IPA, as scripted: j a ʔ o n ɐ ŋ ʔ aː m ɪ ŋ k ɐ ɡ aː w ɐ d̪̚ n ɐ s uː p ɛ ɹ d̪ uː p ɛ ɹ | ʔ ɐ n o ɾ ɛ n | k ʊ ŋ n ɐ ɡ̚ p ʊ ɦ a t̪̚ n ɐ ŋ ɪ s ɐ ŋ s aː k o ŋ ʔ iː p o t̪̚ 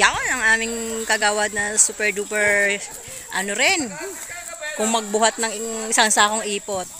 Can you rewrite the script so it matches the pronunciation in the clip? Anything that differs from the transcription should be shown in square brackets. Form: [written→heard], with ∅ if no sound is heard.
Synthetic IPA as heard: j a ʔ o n ɐ ŋ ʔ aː m ɪ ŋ k ɐ ɡ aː w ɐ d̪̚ n ɐ s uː p ɛ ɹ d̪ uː p ɛ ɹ | ʔ ɐ n o ɾ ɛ n | k ʊ ŋ [n→m] ɐ ɡ̚ [p→b] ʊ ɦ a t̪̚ n ɐ ŋ ɪ s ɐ ŋ s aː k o ŋ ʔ iː p o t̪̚